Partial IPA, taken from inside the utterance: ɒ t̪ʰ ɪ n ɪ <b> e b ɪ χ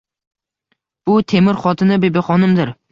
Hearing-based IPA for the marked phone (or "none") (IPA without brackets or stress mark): b